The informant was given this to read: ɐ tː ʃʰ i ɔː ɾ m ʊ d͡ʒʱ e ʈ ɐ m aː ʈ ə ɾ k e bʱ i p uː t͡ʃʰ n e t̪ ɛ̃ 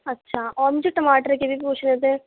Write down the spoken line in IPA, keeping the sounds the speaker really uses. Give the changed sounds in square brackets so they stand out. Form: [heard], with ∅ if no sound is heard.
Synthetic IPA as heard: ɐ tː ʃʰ [a] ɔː ɾ m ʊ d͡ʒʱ e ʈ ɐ m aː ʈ ə ɾ k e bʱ i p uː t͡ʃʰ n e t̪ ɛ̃

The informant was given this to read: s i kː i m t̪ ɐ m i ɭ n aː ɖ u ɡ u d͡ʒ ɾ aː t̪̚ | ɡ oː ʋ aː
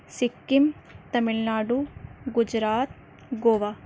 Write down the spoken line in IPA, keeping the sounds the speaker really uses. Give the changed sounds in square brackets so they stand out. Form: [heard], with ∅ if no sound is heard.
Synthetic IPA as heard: s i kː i m t̪ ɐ m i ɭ n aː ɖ u ɡ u d͡ʒ ɾ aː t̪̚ | ɡ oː ʋ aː

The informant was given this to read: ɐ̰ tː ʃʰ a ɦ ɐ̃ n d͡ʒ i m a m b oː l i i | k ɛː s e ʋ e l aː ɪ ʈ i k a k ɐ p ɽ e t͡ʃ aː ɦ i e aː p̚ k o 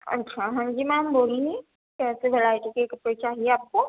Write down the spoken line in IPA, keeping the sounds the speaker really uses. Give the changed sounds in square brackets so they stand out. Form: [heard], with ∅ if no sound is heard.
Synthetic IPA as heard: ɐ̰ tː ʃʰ a ɦ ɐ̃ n d͡ʒ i m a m b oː l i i | k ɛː s e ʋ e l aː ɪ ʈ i k [e] k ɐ p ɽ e t͡ʃ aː ɦ i e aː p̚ k o

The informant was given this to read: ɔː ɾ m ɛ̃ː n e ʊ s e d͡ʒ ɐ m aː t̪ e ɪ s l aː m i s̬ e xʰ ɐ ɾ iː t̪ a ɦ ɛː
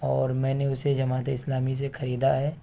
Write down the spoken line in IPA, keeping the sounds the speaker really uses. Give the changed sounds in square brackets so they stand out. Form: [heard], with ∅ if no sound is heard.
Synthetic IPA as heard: ɔː ɾ m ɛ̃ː n e ʊ s e d͡ʒ ɐ m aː t̪ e ɪ s l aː m i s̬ e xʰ ɐ ɾ iː [d̪] a ɦ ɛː

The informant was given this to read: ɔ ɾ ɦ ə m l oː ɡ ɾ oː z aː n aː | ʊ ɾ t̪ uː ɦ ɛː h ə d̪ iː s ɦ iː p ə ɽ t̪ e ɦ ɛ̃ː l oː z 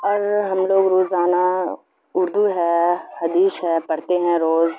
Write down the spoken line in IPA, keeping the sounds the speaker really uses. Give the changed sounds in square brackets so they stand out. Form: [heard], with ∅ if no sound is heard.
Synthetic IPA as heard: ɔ ɾ ɦ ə m l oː ɡ ɾ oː z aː n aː | ʊ ɾ [d̪] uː ɦ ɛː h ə d̪ iː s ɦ [ɛː] p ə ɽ t̪ e ɦ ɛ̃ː [ɾ] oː z

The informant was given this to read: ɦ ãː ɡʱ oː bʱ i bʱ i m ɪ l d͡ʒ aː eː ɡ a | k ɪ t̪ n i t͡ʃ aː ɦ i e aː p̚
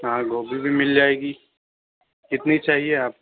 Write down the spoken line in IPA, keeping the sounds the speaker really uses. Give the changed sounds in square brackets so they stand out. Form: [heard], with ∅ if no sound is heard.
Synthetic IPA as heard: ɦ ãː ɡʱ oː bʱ i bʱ i m ɪ l d͡ʒ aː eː ɡ [i] | k ɪ t̪ n i t͡ʃ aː ɦ i e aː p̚

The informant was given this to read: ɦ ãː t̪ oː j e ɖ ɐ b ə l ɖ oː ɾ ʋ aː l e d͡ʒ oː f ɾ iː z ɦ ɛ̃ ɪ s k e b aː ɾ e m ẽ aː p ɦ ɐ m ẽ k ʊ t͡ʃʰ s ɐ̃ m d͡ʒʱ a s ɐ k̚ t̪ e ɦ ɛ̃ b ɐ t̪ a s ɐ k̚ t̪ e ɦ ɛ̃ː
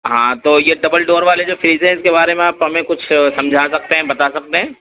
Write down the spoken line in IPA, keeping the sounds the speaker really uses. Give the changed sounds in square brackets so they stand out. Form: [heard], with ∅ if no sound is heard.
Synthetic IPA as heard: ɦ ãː t̪ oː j e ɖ ɐ b ə l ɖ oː ɾ ʋ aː l e d͡ʒ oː f ɾ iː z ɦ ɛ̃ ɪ s k e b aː ɾ e m ẽ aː p ɦ ɐ m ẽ k ʊ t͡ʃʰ s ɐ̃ m d͡ʒʱ a s ɐ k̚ t̪ e ɦ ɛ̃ b ɐ t̪ a s ɐ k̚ t̪ e ɦ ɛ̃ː

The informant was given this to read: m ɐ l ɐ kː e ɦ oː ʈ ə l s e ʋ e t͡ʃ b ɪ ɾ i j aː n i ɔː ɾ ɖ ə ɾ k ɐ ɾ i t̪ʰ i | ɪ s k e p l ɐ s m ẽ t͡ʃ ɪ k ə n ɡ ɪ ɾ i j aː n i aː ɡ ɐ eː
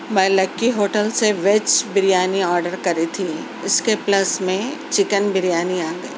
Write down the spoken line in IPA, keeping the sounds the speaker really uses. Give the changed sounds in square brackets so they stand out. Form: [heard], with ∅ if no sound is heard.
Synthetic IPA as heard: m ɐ l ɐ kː [i] ɦ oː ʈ ə l s e ʋ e t͡ʃ b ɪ ɾ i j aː n i ɔː ɾ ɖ ə ɾ k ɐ ɾ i t̪ʰ i | ɪ s k e p l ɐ s m ẽ t͡ʃ ɪ k ə n [b] ɪ ɾ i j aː n i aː ɡ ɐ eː

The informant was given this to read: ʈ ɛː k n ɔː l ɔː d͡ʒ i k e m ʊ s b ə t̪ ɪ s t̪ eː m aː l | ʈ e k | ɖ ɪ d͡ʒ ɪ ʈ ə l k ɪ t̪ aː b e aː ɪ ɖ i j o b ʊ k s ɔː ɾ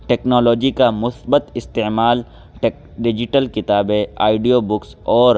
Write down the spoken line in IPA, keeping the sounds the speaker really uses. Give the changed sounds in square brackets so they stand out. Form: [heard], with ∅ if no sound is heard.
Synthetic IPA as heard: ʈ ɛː k n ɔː l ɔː d͡ʒ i k [a] m ʊ s b ə t̪ ɪ s t̪ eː m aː l | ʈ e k | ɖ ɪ d͡ʒ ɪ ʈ ə l k ɪ t̪ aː b e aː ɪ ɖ i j o b ʊ k s ɔː ɾ

